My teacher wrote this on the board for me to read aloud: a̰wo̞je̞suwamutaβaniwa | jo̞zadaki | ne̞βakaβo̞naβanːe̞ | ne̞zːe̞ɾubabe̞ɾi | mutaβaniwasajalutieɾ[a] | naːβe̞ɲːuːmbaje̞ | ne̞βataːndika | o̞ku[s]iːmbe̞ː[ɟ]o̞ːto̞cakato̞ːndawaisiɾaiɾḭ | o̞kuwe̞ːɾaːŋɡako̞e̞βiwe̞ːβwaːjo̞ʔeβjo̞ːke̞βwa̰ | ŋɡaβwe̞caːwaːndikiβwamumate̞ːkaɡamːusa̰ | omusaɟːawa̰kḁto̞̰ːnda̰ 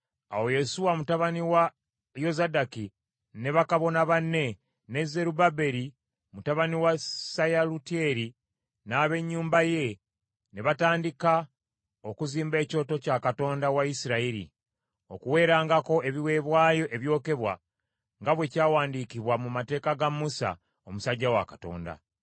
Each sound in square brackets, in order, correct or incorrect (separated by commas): incorrect, incorrect, incorrect